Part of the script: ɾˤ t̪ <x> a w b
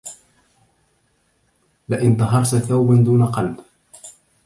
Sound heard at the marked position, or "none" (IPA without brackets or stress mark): θ